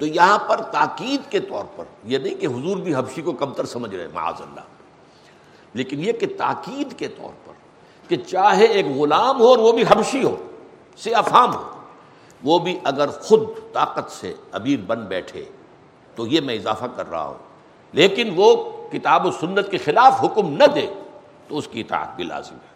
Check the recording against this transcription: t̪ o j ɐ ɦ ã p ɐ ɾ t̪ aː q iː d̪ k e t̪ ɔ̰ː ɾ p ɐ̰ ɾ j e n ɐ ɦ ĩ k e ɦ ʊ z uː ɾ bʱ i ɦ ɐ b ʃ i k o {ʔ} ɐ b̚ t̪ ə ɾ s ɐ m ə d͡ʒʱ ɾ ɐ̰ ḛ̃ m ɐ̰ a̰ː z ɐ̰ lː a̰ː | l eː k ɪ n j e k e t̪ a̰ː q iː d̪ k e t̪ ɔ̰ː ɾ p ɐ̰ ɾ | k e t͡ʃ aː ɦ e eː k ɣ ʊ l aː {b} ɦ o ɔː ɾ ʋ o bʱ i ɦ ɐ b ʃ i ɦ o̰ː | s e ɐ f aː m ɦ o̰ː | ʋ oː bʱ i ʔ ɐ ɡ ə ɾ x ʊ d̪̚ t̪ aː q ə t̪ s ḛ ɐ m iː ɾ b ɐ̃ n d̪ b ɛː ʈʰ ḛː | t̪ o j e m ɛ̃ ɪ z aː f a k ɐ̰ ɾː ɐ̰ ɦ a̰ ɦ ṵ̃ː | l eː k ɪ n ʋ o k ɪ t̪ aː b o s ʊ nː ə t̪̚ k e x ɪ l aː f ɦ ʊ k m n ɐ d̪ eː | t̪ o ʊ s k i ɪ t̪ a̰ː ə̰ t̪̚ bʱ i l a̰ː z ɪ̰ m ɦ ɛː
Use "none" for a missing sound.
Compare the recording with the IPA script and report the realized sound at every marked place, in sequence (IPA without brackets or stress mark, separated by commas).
k, m